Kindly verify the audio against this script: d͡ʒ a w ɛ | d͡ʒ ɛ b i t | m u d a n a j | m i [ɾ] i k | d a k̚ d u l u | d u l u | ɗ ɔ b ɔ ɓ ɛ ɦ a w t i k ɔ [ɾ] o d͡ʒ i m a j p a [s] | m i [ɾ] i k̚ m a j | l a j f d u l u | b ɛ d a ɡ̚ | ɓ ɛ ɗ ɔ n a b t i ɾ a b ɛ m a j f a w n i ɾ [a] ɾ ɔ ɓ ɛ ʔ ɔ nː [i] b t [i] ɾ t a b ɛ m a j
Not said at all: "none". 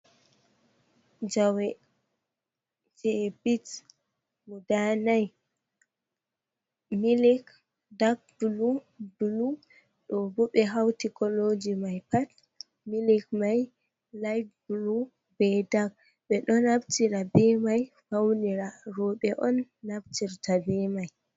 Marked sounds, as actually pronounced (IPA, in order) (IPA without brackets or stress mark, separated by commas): l, l, t, l, a, a, i